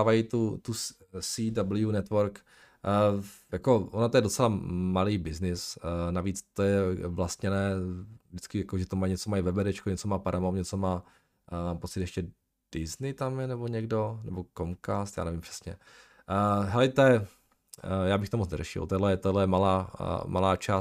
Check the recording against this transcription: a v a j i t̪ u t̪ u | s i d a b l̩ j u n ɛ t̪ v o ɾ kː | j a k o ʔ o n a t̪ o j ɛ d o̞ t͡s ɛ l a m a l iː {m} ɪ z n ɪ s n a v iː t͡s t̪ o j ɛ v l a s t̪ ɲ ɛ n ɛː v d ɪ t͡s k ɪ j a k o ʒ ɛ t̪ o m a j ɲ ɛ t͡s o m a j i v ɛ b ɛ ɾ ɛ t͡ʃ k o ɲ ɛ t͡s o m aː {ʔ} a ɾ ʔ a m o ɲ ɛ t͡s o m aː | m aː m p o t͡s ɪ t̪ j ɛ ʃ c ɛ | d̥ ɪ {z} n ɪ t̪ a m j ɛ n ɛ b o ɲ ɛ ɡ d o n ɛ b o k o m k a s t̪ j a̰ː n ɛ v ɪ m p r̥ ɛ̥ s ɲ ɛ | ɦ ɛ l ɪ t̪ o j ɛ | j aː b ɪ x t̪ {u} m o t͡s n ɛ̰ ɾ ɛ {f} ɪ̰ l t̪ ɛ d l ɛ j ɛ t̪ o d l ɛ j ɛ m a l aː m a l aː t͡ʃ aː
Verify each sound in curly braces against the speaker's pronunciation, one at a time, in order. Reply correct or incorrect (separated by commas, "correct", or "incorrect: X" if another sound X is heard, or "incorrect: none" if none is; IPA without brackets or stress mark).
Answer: incorrect: b, incorrect: p, correct, incorrect: o, incorrect: ʃ